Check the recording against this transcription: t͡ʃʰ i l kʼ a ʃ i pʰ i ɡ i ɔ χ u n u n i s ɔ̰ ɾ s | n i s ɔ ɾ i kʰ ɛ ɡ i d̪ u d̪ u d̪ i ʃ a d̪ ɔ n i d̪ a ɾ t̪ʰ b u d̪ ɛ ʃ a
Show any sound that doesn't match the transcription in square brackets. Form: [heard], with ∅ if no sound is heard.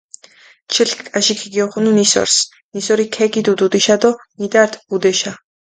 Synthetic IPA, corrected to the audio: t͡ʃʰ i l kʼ a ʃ i [kʰ] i ɡ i ɔ χ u n u n i s ɔ̰ ɾ s | n i s ɔ ɾ i kʰ ɛ ɡ i d̪ u d̪ u d̪ i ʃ a d̪ ɔ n i d̪ a ɾ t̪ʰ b u d̪ ɛ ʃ a